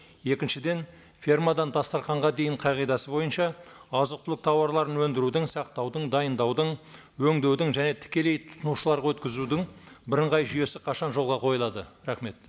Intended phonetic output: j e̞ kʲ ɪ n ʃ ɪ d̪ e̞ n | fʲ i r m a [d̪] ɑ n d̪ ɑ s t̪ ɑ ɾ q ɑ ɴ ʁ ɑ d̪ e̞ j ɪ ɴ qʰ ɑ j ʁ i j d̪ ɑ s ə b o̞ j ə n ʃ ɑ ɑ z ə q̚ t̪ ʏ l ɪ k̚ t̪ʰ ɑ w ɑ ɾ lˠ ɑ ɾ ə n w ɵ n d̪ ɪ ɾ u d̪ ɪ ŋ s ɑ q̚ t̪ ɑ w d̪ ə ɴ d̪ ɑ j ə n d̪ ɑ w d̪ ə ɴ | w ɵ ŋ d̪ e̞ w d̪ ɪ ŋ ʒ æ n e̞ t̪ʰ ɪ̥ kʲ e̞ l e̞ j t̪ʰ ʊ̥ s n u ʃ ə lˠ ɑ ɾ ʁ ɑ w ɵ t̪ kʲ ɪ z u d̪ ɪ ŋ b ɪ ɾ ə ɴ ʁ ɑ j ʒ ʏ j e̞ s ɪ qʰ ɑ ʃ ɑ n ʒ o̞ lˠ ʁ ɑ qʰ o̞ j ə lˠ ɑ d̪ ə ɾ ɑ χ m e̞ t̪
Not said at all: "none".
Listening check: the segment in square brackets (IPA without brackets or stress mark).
d̪